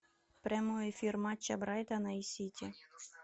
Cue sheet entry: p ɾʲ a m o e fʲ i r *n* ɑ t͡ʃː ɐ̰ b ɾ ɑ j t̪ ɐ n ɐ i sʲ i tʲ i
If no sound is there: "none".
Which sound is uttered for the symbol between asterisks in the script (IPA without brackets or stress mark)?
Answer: m